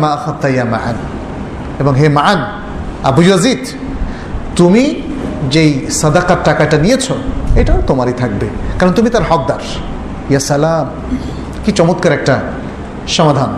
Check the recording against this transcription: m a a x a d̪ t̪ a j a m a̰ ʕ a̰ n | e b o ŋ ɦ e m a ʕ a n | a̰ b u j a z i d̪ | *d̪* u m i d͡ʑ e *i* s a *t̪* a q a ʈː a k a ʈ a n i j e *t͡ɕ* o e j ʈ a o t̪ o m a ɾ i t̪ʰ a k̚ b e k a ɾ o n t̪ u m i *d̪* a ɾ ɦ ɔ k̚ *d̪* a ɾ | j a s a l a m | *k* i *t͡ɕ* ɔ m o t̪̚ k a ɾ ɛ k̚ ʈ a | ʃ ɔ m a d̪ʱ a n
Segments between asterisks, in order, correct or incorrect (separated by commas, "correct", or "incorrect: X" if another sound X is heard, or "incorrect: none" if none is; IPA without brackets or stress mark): incorrect: t̪, incorrect: j, incorrect: d̪, incorrect: t͡ɕʰ, incorrect: t̪, correct, correct, correct